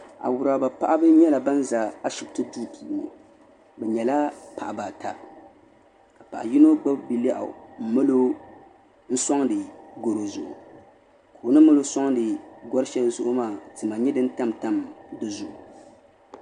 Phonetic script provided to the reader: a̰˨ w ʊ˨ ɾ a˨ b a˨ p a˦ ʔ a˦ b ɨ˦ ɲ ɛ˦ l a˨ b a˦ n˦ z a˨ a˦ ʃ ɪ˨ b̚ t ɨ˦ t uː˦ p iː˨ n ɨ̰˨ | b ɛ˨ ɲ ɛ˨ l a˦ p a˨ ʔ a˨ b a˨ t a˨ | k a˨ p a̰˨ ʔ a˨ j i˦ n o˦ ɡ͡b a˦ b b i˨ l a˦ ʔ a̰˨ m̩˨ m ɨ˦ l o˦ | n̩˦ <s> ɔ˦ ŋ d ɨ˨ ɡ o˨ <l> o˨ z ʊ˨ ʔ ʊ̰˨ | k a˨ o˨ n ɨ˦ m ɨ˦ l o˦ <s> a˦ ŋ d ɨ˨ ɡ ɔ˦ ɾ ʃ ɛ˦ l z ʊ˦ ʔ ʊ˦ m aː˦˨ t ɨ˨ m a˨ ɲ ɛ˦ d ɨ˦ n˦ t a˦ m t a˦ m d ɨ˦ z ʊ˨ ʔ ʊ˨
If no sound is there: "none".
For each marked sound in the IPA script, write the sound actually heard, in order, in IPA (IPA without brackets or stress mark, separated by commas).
s, ɾ, s